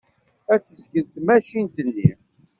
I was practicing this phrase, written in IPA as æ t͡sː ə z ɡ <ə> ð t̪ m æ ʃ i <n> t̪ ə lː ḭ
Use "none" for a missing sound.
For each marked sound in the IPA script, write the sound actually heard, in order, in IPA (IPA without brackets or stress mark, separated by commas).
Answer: ə, n